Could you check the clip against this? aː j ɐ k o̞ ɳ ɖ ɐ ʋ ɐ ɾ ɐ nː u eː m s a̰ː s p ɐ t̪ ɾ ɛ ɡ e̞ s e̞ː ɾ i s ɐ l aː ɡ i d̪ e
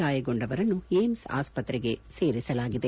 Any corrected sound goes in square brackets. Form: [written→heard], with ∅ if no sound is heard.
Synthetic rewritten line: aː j ɐ [k→ɡ] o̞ ɳ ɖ ɐ ʋ ɐ ɾ ɐ nː u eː m s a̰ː s p ɐ t̪ ɾ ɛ ɡ e̞ s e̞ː ɾ i s ɐ l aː ɡ i d̪ e